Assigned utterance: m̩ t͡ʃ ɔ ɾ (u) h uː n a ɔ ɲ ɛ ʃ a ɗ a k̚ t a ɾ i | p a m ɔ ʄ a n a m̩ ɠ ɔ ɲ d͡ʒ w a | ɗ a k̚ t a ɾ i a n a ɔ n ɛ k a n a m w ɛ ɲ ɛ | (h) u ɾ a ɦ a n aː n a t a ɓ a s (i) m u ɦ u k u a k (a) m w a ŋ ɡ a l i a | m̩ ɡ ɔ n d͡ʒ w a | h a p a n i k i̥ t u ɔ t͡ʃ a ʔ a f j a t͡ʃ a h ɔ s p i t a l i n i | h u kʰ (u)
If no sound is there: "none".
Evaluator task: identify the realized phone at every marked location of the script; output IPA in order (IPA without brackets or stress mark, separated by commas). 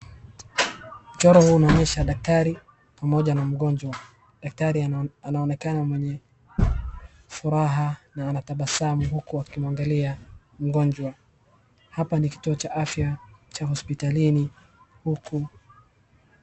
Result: ɔ, f, a, i, u